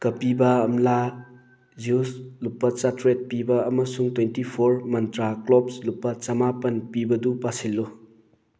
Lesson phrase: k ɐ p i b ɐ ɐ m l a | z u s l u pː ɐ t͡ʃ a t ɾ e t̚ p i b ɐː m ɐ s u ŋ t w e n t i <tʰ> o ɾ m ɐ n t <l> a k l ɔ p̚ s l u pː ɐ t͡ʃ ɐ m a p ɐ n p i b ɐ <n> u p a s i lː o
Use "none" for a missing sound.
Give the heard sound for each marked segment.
pʰ, ɾ, d

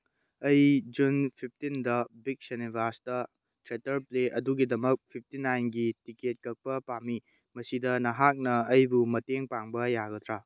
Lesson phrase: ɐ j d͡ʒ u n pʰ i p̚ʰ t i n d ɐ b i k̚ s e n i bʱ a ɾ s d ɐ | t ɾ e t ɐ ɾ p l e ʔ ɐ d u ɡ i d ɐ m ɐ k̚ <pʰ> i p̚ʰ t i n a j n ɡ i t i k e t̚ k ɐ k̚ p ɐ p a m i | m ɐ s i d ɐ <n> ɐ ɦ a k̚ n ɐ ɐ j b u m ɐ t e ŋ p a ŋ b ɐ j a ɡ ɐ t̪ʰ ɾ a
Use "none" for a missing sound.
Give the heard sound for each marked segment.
pʰ, n

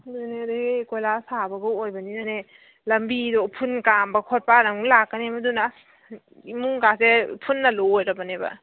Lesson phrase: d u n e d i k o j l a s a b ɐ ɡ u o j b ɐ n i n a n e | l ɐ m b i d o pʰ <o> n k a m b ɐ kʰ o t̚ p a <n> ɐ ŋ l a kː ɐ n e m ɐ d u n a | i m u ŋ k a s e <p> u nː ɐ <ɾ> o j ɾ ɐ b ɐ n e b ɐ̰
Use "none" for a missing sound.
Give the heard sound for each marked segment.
u, n, pʰ, l

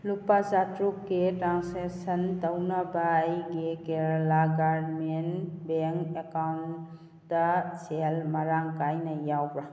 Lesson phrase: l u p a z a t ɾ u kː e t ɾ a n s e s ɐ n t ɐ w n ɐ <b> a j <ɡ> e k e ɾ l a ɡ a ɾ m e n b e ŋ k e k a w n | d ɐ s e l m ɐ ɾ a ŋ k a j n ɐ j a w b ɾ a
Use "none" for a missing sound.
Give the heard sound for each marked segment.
b, ɡ

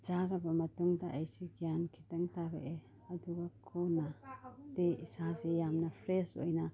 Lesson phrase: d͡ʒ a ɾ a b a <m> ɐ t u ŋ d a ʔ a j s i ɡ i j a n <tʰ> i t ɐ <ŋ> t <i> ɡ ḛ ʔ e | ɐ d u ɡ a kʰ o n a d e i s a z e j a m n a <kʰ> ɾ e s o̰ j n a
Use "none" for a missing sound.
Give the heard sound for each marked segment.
m, kʰ, ŋ, a, pʰ

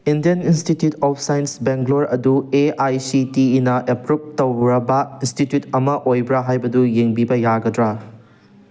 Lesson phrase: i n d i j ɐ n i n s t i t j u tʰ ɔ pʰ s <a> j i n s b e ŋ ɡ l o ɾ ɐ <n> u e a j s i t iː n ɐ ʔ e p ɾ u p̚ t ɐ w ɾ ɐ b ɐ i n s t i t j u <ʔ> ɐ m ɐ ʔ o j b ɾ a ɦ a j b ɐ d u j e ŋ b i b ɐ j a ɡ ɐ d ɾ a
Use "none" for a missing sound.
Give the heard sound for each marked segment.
a, d, t

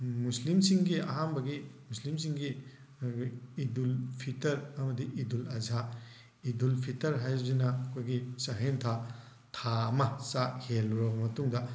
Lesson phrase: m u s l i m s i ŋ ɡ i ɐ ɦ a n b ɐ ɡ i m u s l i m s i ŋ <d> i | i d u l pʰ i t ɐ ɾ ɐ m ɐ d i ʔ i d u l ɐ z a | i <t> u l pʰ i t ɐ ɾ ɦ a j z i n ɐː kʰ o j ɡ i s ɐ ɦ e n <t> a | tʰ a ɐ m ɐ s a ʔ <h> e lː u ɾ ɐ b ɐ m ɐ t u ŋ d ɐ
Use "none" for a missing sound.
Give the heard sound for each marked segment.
ɡ, d, tʰ, h

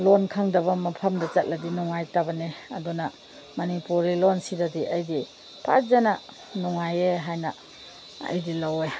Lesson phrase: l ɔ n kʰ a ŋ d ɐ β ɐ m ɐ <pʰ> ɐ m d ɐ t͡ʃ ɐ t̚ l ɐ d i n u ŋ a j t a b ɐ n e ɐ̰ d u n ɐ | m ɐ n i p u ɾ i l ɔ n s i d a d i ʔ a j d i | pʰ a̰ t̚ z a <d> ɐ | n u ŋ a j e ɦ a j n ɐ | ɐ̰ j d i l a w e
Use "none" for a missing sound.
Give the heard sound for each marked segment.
pʰ, n

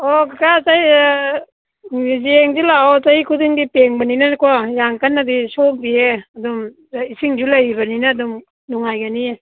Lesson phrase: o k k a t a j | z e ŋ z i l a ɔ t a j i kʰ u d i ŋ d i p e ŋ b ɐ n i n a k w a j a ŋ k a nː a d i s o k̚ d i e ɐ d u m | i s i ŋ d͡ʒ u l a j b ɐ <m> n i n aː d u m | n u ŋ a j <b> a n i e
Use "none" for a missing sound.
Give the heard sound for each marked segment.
none, ɡ

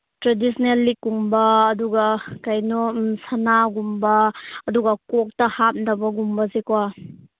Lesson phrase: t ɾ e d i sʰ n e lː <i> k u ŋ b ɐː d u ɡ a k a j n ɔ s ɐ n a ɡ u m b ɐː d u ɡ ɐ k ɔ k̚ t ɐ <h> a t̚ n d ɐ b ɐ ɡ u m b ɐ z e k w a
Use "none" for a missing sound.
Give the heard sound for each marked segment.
i, h

